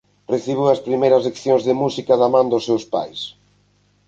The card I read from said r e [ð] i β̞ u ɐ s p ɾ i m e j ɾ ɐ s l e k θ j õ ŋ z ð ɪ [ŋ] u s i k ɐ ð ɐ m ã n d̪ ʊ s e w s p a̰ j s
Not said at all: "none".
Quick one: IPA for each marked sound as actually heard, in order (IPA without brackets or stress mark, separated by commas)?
θ, m